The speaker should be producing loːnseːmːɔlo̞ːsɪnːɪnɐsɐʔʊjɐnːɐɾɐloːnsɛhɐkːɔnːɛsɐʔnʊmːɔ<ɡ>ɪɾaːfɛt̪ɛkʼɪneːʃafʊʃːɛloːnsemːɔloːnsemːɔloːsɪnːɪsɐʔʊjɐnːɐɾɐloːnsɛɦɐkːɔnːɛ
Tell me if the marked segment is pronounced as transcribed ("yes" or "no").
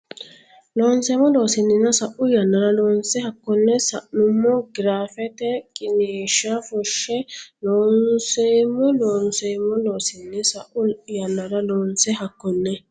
yes